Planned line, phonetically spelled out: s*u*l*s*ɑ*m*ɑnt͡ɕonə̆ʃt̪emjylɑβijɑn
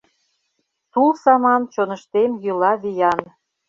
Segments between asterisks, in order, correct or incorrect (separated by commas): correct, correct, correct